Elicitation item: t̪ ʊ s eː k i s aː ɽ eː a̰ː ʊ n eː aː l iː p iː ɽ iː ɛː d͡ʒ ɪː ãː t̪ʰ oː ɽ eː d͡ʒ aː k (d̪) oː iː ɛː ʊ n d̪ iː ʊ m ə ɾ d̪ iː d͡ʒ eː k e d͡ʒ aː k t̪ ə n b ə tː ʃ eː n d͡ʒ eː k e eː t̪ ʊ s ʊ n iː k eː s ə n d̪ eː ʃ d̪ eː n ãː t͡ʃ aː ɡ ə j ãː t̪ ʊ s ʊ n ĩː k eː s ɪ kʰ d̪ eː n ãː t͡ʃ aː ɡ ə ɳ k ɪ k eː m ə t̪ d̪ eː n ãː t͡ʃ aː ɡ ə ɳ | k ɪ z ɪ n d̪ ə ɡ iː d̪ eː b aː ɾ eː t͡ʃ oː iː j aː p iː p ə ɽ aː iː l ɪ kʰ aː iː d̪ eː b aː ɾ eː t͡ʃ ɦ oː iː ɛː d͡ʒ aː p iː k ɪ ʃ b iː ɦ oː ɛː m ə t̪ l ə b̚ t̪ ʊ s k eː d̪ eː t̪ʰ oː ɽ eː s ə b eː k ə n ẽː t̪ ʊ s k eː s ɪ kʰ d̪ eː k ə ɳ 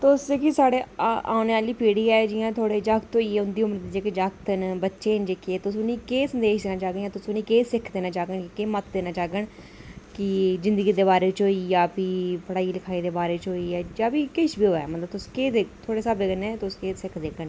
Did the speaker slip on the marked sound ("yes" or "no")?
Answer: yes